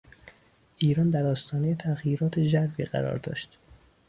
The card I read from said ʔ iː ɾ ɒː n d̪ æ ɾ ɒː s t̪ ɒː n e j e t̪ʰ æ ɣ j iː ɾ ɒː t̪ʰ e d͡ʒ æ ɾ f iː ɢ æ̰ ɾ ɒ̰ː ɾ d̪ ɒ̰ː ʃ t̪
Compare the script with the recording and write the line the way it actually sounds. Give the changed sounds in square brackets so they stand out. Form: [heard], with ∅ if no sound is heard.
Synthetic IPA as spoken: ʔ iː ɾ ɒː n d̪ æ ɾ ɒː s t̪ ɒː n e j e t̪ʰ æ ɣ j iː ɾ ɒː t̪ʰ e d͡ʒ æ ɾ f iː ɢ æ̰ ɾ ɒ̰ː ɾ d̪ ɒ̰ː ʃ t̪